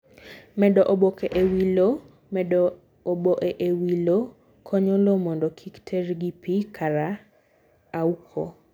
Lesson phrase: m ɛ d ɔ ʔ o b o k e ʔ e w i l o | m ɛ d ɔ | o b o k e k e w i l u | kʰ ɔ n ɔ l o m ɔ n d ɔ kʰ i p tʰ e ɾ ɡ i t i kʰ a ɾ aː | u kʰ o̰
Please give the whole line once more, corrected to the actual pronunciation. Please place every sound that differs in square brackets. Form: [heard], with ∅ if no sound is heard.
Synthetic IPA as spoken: m ɛ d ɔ ʔ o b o k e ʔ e w i l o | m ɛ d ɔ | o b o [ʔ] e [ʔ] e w i l [o] | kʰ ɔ [ɲ] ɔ l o m ɔ n d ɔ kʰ i [k] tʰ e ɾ ɡ i [p] i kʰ a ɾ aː | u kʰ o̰